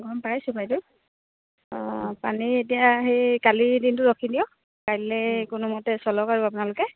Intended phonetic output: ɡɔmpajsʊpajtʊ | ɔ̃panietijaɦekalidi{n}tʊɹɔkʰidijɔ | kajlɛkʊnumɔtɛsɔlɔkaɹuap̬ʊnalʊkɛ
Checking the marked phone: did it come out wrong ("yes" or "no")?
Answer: no